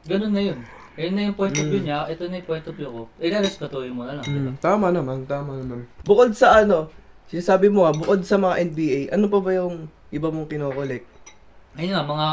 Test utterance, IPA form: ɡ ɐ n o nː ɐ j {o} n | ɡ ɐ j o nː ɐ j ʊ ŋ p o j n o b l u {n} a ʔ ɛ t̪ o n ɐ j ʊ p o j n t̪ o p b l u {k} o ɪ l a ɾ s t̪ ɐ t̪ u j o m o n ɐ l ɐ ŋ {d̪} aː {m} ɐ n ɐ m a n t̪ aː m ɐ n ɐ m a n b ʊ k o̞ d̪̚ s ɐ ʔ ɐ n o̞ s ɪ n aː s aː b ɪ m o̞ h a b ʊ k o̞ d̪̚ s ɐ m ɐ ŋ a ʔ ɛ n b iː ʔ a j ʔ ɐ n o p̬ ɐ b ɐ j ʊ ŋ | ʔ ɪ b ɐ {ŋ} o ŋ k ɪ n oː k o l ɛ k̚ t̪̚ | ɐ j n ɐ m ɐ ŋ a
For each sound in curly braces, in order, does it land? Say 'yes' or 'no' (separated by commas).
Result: yes, no, yes, no, yes, no